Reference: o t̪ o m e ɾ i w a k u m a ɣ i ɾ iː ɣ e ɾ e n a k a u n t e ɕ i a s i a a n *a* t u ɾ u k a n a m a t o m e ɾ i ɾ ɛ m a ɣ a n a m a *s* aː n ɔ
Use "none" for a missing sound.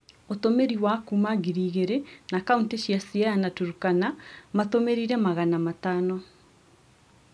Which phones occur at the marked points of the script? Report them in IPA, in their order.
a, t

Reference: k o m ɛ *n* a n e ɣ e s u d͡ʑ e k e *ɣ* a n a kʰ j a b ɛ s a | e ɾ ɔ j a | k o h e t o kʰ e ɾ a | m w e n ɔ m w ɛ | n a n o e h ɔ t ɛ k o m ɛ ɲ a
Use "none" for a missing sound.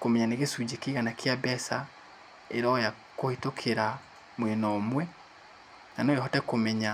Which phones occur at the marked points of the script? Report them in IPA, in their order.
ɲ, ɣ

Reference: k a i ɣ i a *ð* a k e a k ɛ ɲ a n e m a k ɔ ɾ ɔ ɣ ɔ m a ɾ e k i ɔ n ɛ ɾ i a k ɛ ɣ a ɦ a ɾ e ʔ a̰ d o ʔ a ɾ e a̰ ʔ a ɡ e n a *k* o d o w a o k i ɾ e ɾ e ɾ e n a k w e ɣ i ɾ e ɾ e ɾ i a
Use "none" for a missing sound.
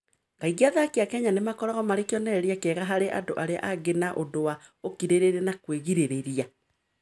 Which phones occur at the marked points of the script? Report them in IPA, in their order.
ð, ʔ

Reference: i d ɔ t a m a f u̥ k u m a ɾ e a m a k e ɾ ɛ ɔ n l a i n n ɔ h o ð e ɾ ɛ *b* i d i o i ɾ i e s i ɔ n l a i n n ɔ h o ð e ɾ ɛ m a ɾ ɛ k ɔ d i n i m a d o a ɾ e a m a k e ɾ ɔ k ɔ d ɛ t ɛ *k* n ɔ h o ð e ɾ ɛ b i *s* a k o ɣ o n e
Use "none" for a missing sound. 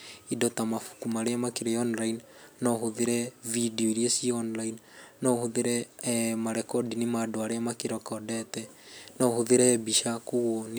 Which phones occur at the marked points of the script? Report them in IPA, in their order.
v, none, ʃ

